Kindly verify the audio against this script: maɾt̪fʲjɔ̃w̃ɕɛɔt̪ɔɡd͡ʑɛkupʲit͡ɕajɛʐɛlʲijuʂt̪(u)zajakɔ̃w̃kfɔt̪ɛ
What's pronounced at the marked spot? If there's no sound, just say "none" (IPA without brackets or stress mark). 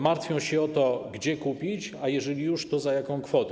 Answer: ɔ